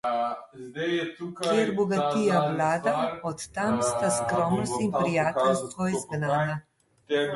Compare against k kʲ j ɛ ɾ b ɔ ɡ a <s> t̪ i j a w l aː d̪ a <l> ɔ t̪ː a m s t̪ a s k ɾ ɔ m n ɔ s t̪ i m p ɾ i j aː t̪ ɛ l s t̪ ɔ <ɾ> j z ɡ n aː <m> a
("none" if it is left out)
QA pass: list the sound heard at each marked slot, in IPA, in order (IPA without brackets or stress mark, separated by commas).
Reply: none, none, none, n